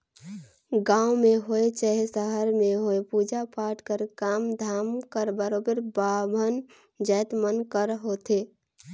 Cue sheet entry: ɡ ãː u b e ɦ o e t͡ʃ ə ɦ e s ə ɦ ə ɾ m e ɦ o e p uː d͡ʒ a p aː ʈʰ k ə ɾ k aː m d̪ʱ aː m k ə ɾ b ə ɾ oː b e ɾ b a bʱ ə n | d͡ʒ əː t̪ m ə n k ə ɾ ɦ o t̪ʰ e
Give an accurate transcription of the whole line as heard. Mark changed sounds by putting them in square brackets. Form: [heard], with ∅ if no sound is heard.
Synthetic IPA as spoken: ɡ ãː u [m] e ɦ o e t͡ʃ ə ɦ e s ə ɦ ə ɾ m e ɦ o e p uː d͡ʒ a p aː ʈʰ k ə ɾ k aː m d̪ʱ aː m k ə ɾ b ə ɾ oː b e ɾ b a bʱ ə n | d͡ʒ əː t̪ m ə n k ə ɾ ɦ o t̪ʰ e